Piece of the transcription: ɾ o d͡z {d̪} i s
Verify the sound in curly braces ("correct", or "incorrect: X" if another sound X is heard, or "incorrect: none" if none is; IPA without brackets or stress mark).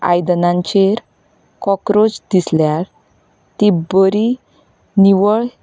correct